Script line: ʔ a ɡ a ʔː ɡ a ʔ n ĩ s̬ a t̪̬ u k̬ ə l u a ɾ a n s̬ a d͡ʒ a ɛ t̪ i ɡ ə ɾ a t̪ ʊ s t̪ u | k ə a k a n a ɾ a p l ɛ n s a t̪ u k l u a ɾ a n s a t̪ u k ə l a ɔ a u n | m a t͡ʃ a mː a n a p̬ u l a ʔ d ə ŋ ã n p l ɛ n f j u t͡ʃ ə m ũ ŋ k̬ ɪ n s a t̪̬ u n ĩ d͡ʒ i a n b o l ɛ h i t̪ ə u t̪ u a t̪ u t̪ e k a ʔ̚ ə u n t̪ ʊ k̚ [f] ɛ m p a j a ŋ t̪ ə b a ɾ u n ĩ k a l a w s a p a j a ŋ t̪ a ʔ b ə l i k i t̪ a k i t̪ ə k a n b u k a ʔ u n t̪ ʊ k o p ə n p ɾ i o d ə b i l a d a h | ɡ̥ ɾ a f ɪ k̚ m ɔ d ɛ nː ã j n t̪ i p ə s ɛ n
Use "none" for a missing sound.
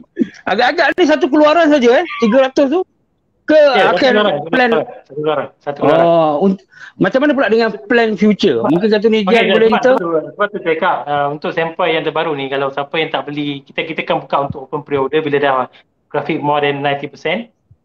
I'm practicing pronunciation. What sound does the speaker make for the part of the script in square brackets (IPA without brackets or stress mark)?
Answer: s